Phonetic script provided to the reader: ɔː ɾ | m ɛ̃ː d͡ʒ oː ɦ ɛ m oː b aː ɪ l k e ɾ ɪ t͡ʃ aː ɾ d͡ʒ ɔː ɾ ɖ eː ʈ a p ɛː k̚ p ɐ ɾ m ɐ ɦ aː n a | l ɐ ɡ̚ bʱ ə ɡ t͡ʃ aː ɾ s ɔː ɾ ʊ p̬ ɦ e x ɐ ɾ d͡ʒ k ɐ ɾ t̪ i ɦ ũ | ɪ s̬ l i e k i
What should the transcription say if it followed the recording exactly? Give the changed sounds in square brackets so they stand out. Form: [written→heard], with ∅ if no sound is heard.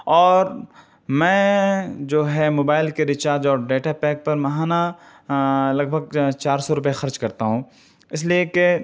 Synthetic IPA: ɔː ɾ | m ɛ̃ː d͡ʒ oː ɦ ɛ m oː b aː ɪ l k e ɾ ɪ t͡ʃ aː ɾ d͡ʒ ɔː ɾ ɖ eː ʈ a p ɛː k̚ p ɐ ɾ m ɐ ɦ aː n a | l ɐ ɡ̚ bʱ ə ɡ t͡ʃ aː ɾ s [ɔː→ɔ] ɾ ʊ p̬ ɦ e x ɐ ɾ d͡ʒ k ɐ ɾ t̪ [i→a] ɦ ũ | ɪ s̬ l i e k [i→e]